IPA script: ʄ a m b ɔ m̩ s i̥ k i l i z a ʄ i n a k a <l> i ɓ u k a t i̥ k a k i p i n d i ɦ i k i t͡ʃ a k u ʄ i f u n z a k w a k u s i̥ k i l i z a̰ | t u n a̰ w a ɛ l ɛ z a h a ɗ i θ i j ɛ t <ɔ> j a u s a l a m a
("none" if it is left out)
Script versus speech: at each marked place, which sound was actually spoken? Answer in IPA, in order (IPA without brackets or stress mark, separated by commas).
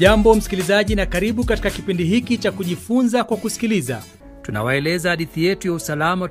ɾ, u